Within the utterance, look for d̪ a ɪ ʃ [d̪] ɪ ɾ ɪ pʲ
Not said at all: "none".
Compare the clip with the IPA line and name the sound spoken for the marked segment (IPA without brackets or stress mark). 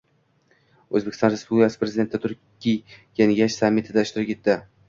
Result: t̪